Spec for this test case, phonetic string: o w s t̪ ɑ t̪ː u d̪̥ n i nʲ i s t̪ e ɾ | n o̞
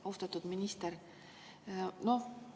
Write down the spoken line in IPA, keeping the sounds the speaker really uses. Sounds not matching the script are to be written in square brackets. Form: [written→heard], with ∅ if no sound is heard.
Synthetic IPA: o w s t̪ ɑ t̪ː u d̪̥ [n→m] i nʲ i s t̪ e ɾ | n o̞